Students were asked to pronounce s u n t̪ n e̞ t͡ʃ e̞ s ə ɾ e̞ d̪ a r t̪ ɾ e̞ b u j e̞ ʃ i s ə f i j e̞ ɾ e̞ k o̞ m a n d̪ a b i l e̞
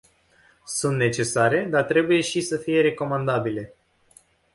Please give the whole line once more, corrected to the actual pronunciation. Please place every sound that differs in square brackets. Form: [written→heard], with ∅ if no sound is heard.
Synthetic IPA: s u n t̪ n e̞ t͡ʃ e̞ s [ə→a] ɾ e̞ d̪ a r t̪ ɾ e̞ b u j e̞ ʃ i s ə f i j e̞ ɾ e̞ k o̞ m a n d̪ a b i l e̞